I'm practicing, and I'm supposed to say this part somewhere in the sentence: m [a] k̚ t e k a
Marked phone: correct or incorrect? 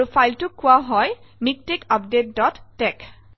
incorrect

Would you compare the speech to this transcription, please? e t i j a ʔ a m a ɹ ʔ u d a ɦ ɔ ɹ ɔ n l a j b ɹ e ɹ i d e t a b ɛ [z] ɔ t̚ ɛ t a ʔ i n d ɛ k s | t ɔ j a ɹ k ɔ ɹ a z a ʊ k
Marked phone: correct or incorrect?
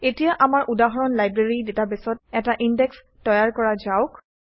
incorrect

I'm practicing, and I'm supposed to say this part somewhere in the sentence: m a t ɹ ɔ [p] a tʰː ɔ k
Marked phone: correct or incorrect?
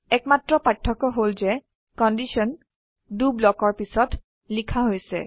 correct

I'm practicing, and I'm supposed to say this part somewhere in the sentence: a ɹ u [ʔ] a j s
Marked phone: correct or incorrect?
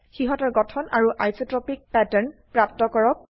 correct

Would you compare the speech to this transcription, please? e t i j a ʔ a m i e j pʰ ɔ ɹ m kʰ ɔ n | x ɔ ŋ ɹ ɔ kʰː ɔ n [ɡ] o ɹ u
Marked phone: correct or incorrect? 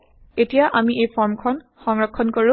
incorrect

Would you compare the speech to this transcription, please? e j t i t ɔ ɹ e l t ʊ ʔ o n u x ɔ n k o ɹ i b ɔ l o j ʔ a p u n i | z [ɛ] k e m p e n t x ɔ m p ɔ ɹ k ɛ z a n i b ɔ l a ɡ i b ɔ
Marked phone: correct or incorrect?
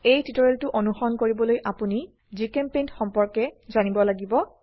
incorrect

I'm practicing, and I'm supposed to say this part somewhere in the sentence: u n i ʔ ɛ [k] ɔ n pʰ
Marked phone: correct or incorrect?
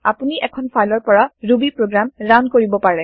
incorrect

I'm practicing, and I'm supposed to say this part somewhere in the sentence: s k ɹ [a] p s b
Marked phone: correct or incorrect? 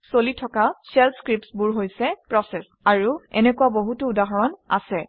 incorrect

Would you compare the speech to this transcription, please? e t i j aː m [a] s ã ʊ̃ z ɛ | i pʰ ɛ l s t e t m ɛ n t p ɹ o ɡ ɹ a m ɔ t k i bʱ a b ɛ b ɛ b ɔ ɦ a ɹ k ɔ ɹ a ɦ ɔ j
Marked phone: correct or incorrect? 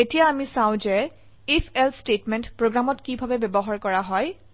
incorrect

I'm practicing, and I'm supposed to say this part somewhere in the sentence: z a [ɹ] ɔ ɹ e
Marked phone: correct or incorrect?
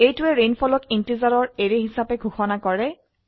correct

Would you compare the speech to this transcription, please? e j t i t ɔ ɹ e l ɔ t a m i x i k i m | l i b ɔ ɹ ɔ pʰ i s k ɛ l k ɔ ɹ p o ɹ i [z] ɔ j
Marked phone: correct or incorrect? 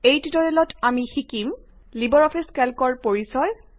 incorrect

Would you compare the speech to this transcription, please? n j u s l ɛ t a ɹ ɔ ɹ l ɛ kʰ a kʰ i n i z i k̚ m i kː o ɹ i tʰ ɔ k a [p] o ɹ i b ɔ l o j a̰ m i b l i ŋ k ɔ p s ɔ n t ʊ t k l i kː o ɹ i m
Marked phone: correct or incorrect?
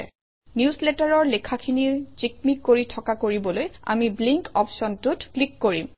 incorrect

